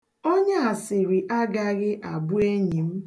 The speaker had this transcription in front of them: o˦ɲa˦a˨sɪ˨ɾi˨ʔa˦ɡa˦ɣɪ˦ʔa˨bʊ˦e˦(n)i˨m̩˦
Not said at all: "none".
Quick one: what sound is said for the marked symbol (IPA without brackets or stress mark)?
ɲ